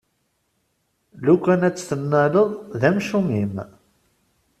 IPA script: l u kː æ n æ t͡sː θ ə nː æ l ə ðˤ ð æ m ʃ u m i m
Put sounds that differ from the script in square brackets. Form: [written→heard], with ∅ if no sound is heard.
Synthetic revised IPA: l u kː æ n æ t͡sː θ ə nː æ l ə ðˤ ð æ m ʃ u m i m

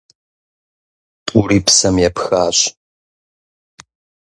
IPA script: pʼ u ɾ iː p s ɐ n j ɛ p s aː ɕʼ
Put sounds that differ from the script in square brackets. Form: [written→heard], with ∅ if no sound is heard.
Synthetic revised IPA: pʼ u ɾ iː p s ɐ [n→m] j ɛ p [s→x] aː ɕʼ

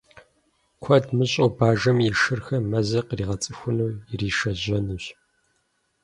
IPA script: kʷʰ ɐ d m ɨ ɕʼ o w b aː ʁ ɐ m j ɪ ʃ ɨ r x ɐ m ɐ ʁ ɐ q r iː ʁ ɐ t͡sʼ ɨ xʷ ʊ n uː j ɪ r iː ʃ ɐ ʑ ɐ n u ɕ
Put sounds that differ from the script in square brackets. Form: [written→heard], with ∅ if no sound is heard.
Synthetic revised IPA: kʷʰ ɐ d m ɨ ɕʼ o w b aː [ʁ→ʒ] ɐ m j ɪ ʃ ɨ r x ɐ m ɐ [ʁ→z] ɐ q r iː ʁ ɐ t͡sʼ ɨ xʷ ʊ n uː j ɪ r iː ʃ ɐ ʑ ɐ n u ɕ

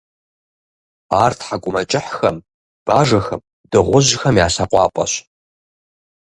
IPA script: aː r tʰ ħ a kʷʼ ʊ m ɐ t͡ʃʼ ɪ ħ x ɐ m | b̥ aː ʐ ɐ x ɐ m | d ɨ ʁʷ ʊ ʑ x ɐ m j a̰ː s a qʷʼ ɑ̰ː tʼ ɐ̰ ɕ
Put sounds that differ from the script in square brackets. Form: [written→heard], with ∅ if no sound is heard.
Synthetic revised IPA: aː r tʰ ħ a kʷʼ ʊ m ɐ t͡ʃʼ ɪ ħ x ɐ m | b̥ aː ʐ ɐ x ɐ m | d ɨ ʁʷ ʊ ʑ x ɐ m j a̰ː s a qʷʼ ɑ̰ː [tʼ→pʼ] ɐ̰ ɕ

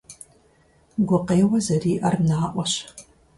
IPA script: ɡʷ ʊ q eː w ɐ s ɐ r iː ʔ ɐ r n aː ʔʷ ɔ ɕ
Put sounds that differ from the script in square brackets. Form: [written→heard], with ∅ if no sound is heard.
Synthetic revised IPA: ɡʷ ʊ q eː w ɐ [s→z] ɐ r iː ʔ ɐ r n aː ʔʷ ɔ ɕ

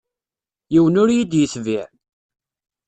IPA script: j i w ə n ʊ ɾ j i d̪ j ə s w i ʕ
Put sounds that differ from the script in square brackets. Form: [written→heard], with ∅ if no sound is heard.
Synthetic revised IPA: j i w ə n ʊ ɾ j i d̪ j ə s [w→v] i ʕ

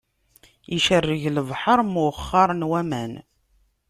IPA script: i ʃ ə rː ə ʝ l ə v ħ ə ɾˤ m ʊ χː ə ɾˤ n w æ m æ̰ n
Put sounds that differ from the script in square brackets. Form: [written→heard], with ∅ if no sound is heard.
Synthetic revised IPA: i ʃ ə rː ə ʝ l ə v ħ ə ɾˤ m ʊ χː [ə→ɑ] ɾˤ n w æ m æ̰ n

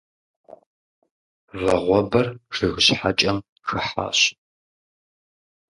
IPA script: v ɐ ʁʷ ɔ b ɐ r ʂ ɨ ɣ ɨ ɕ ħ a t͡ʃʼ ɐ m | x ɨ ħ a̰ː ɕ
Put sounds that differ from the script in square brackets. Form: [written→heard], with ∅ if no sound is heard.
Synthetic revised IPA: v ɐ ʁʷ ɔ b ɐ r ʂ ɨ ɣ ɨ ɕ ħ a t͡ʃʼ ɐ m | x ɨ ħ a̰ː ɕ

